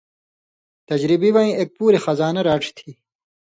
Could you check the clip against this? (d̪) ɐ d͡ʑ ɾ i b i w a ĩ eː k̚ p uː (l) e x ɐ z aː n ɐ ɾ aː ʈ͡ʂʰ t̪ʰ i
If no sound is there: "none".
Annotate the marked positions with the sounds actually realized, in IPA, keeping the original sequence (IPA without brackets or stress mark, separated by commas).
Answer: t̪, ɾ